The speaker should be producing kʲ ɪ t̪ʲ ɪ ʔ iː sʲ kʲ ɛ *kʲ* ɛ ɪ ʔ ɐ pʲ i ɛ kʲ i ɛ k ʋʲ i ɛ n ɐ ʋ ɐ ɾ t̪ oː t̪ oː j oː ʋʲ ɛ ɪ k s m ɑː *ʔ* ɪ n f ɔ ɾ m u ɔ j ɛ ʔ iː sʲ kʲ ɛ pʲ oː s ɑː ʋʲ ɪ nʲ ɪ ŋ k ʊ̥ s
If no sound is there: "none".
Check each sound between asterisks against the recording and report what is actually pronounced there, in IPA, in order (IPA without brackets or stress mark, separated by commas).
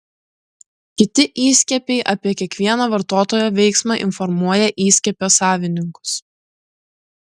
pʲ, ʔ